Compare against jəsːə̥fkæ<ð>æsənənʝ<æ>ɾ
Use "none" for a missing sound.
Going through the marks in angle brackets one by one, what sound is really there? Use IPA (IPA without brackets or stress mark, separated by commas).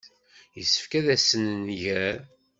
ð, æ